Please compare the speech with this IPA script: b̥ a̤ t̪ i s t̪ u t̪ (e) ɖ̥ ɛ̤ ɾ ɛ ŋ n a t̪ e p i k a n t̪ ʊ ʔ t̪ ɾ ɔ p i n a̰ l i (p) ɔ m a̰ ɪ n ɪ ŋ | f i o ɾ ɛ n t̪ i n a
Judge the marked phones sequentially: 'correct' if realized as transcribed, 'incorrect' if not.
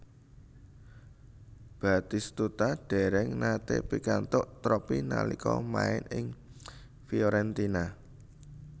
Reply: incorrect: a, incorrect: k

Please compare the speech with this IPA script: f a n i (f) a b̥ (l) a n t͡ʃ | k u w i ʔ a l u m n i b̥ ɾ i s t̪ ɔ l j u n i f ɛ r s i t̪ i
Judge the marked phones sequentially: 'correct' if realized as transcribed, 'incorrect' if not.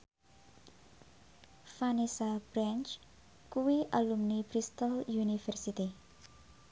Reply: incorrect: s, incorrect: ɾ

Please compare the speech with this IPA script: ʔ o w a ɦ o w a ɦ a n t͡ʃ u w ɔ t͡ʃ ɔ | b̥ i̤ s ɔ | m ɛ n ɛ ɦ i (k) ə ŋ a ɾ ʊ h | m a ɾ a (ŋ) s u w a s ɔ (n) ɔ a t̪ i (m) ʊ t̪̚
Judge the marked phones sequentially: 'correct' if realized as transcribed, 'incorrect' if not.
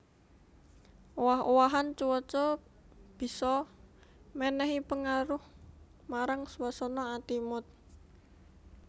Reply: incorrect: p, correct, correct, correct

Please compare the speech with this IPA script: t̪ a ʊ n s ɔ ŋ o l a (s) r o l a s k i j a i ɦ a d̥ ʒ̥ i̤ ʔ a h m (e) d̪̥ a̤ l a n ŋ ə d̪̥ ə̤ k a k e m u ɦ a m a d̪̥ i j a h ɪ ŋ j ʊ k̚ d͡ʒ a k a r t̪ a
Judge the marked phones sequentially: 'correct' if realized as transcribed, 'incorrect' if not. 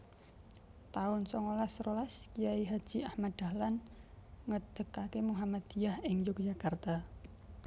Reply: correct, incorrect: a

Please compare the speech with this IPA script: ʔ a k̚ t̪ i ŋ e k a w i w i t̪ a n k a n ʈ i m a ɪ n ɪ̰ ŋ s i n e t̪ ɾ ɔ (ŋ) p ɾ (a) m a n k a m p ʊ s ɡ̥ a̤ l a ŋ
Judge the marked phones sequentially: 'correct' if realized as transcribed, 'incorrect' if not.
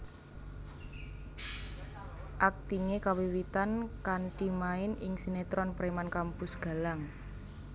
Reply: incorrect: n, incorrect: e

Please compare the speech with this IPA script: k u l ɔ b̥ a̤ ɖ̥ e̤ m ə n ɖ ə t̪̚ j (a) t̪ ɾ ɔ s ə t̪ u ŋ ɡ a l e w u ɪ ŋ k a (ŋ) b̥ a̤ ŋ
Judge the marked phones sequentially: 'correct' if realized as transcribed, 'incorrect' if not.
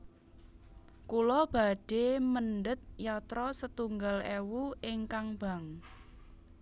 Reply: correct, correct

